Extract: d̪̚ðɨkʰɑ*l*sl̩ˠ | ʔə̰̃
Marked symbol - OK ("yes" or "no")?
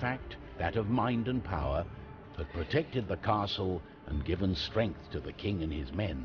no